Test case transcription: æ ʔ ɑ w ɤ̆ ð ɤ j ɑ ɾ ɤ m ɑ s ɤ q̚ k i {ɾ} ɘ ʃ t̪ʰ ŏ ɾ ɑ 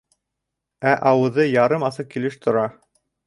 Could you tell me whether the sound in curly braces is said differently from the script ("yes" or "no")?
yes